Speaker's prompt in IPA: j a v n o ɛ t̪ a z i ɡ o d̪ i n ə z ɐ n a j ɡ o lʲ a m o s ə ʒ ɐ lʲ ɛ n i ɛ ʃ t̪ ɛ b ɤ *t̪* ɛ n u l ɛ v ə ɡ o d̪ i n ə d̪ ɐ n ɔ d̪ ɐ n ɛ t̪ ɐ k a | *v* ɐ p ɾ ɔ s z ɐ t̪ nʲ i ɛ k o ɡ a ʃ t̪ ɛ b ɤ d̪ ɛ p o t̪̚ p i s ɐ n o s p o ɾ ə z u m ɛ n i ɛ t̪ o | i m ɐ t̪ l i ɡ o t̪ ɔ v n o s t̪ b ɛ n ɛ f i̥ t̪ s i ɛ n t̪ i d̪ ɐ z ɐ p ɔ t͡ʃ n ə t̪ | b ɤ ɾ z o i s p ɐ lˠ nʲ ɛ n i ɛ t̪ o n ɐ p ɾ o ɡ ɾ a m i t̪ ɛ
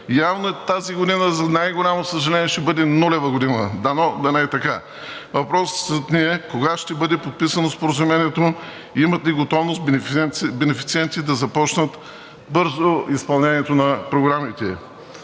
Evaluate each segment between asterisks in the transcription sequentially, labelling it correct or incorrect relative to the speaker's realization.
incorrect: d̪, correct

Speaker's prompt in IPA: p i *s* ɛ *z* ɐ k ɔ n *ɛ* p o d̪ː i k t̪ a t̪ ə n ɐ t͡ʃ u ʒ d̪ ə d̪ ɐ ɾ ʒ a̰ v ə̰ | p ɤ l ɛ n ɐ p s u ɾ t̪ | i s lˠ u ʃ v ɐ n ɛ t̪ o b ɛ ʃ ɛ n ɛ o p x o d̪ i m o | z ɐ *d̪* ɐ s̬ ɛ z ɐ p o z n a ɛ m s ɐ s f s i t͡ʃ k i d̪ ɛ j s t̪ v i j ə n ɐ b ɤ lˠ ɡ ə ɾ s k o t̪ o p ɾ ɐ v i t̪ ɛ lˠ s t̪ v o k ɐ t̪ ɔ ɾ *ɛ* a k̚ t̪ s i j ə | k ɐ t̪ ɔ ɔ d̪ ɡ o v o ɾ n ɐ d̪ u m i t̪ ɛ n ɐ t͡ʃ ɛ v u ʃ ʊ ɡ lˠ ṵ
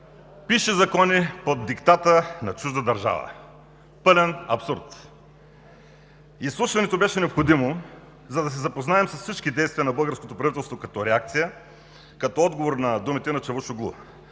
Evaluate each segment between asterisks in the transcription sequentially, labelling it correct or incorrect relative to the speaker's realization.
incorrect: ʃ, correct, incorrect: i, correct, correct

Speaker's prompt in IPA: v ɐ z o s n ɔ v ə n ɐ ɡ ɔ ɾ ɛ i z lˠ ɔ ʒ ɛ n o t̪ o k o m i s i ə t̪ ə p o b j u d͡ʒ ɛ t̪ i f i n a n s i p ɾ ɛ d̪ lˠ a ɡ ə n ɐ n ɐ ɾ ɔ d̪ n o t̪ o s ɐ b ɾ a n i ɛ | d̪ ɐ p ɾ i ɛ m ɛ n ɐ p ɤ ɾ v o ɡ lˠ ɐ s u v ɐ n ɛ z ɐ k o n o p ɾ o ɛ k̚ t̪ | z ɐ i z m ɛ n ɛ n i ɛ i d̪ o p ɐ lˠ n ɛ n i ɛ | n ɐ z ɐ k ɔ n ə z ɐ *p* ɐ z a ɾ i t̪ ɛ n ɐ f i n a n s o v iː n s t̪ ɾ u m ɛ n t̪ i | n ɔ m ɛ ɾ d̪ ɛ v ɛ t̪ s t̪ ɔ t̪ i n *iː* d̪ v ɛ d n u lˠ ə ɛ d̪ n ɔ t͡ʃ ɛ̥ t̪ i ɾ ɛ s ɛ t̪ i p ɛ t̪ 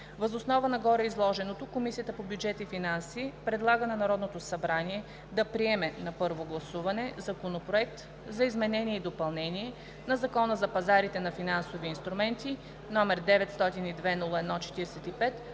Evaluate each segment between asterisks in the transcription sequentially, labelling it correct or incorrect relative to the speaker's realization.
correct, incorrect: i

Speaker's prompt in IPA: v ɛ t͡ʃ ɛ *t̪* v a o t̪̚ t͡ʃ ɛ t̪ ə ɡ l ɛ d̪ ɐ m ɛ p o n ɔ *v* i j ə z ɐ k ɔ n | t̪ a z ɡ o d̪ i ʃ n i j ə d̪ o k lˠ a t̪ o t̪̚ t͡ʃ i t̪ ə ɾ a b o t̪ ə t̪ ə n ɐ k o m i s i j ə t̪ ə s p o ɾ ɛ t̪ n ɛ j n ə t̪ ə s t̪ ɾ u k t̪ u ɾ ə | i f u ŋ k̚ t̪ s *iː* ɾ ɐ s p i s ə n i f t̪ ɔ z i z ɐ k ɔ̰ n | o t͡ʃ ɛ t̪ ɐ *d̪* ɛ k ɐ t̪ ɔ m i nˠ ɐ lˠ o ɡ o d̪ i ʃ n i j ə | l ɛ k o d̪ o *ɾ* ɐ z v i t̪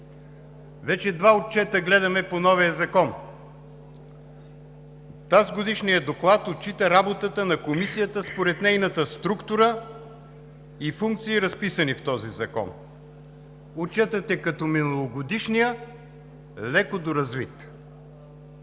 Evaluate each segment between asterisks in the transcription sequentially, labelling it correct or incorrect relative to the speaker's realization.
incorrect: d̪, correct, correct, incorrect: t̪, correct

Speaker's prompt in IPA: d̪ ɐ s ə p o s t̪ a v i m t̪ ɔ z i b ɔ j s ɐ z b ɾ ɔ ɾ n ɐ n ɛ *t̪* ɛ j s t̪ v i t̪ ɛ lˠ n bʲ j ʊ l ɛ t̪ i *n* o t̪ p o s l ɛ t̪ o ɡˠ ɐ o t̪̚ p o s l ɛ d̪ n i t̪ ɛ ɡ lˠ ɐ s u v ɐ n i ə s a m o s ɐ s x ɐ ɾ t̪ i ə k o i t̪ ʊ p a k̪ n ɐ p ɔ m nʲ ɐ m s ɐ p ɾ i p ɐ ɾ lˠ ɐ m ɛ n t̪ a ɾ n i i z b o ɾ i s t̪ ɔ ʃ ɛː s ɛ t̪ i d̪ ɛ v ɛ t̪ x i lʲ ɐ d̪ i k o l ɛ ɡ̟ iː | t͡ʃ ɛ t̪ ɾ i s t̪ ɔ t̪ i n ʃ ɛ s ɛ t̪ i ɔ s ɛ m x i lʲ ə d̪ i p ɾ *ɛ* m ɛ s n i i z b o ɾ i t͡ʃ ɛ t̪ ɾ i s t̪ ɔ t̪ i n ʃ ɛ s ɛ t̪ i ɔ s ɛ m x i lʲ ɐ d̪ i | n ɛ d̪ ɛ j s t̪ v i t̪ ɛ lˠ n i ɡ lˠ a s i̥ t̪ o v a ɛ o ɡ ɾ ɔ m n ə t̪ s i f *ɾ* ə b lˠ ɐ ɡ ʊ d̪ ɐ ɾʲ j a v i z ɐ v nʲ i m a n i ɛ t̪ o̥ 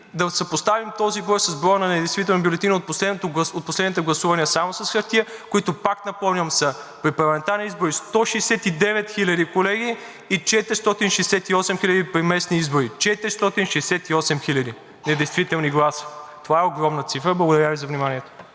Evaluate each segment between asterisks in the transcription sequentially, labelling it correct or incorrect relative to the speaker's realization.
incorrect: d̪, correct, incorrect: i, correct

